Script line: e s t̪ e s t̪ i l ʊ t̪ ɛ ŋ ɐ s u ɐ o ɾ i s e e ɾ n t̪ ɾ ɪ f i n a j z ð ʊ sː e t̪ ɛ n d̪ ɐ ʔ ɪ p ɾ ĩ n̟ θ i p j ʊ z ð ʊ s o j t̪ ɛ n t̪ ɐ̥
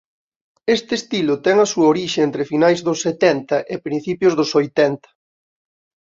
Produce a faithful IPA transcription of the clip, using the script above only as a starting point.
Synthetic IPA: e s t̪ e s t̪ i l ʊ t̪ ɛ ŋ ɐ s u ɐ o ɾ i ʃ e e n t̪ ɾ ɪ f i n a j z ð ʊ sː e t̪ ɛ n t̪ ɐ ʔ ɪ p ɾ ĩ n̟ θ i p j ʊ z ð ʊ s o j t̪ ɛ n t̪ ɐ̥